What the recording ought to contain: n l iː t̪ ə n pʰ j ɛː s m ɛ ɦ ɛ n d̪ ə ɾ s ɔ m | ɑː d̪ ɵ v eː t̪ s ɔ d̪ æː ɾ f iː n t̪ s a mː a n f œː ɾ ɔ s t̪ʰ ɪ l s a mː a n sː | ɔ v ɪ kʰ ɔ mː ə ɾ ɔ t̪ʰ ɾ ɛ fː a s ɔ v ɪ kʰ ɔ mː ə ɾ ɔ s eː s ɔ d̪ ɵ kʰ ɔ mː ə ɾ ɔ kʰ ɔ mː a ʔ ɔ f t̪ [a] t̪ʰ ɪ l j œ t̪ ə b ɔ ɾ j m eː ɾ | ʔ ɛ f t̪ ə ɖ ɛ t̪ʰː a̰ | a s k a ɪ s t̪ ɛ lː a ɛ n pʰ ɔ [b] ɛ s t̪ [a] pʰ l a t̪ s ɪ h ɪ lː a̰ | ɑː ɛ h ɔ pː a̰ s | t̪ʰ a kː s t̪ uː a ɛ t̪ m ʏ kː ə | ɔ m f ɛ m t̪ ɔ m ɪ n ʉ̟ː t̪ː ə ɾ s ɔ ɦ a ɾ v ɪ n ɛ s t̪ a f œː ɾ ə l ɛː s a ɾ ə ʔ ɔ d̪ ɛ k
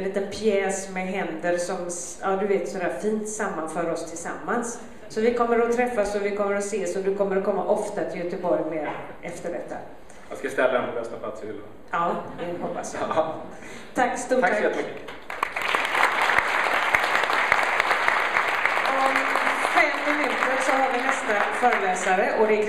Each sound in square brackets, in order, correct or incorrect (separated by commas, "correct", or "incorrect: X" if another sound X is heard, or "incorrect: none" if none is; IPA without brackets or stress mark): correct, correct, correct